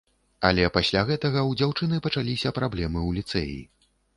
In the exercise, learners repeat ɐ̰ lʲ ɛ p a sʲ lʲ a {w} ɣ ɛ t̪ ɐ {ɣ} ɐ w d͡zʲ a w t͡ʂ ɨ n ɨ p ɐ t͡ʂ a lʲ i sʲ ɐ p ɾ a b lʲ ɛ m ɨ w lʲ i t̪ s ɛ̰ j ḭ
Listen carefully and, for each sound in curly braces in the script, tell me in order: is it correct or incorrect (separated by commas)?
incorrect, correct